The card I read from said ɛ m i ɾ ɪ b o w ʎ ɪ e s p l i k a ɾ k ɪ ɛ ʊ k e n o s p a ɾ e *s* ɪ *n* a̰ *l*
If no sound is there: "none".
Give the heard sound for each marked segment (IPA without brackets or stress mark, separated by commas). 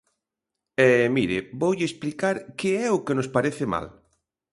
θ, m, l